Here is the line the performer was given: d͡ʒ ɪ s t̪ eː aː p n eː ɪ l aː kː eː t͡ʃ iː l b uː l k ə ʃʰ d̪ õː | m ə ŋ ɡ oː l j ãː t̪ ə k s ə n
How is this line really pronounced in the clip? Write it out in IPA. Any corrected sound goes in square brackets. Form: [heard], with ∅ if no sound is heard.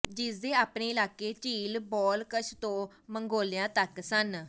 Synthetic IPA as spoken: d͡ʒ ɪ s [d̪] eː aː p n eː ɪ l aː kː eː t͡ʃ iː l b [ɔː] l k ə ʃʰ [t̪] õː | m ə ŋ ɡ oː l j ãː t̪ ə k s ə n